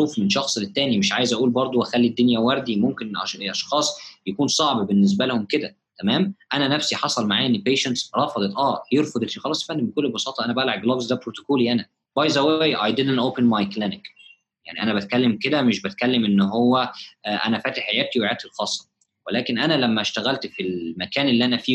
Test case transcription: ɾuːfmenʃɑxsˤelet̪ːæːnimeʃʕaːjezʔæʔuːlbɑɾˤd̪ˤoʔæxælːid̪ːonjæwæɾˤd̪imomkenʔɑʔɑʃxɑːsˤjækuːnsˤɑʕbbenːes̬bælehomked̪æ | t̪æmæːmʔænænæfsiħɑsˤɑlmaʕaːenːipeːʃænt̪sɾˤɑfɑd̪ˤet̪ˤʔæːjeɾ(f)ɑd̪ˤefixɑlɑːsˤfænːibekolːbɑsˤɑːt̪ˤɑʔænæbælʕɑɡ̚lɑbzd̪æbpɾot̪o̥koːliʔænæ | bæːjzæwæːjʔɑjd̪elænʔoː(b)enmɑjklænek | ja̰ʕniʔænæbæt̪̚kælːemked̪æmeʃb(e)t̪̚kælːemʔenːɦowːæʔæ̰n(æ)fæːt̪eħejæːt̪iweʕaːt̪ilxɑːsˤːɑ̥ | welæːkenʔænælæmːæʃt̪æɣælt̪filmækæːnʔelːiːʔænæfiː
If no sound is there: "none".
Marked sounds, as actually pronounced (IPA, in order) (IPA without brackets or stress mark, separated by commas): f, p, æ, æ